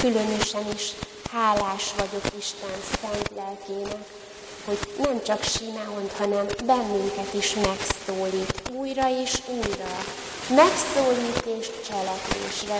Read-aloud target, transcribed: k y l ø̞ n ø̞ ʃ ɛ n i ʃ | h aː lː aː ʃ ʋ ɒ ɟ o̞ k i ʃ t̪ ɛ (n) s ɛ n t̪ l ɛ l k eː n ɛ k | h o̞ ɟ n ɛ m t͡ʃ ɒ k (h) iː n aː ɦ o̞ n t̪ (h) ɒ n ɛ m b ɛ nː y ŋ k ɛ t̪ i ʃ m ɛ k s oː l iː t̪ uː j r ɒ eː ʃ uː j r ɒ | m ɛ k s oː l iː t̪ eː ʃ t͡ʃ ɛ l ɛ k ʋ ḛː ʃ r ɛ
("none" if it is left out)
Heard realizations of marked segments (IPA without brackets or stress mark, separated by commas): n, ʃ, h